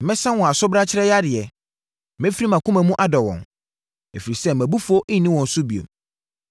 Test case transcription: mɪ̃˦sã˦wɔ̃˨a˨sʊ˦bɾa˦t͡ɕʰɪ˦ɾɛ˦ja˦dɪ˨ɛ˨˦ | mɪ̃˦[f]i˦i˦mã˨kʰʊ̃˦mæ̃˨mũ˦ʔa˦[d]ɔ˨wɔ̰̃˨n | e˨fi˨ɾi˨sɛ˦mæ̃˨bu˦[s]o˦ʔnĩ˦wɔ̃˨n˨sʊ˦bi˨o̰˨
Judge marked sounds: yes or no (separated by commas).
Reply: yes, yes, no